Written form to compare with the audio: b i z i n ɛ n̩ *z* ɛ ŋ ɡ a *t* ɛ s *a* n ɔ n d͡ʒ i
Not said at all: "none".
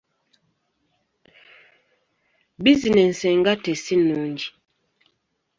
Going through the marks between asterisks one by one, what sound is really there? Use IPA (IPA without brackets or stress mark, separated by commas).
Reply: s, t, i